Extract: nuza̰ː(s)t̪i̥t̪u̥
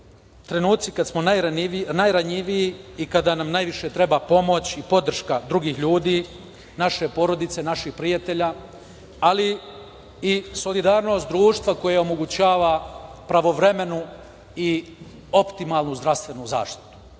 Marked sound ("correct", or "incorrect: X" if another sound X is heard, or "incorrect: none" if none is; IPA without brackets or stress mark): incorrect: ʃ